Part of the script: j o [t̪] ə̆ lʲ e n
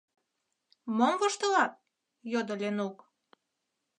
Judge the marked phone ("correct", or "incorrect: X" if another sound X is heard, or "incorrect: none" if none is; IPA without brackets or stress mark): incorrect: d̪